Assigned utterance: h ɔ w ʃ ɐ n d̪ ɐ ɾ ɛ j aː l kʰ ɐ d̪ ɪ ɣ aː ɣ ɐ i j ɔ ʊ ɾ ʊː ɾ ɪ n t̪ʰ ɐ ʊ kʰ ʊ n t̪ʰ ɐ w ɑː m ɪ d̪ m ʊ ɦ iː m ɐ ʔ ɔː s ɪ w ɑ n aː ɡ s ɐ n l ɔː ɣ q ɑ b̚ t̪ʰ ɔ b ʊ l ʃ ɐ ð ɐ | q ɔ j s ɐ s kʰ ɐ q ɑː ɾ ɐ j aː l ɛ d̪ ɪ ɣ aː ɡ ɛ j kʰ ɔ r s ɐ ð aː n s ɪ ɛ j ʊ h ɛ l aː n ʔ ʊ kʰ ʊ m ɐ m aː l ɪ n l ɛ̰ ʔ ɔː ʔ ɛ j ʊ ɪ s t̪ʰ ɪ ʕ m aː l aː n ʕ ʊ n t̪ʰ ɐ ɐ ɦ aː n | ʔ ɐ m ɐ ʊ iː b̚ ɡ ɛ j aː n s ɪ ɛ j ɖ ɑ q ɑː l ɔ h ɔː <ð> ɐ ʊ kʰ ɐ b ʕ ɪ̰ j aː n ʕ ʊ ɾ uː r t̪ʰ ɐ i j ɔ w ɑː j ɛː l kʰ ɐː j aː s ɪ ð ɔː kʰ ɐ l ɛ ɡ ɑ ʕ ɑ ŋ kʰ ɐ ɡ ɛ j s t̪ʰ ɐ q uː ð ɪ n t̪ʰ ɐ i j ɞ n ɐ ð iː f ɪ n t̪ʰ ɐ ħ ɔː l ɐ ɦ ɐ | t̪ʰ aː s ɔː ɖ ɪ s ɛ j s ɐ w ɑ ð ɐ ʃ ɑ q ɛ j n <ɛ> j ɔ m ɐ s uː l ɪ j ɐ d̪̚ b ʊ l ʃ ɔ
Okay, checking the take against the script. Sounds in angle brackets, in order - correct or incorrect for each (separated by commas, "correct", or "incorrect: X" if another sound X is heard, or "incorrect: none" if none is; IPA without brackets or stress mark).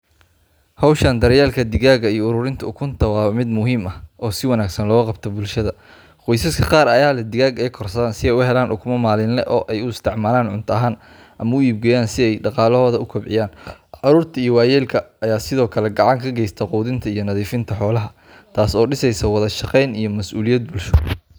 correct, incorrect: i